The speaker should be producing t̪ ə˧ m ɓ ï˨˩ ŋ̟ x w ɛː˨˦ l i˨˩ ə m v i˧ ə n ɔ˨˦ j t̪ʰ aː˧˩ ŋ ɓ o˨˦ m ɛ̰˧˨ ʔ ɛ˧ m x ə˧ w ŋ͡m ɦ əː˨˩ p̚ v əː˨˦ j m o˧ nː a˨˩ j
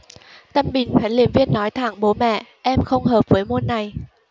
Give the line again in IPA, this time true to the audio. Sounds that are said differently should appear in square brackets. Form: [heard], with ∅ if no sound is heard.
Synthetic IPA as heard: t̪ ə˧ m ɓ ï˨˩ ŋ̟ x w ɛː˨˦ l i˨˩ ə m v i˧ ə [nː] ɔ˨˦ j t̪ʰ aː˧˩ ŋ ɓ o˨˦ m ɛ̰˧˨ ʔ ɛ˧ m x ə˧ w ŋ͡m ɦ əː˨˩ p̚ v əː˨˦ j m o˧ nː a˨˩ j